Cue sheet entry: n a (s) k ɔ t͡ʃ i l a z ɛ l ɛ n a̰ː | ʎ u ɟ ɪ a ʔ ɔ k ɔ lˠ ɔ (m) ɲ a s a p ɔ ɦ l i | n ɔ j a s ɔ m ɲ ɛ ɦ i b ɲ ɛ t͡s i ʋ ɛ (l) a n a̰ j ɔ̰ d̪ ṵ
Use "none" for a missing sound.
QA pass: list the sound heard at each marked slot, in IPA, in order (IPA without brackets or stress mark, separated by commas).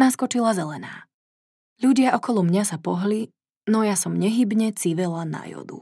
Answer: s, m, l